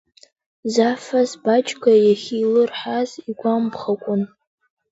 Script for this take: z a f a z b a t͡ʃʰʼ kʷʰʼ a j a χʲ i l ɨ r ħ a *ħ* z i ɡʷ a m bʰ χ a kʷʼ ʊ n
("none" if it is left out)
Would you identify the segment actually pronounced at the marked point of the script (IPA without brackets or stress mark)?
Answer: none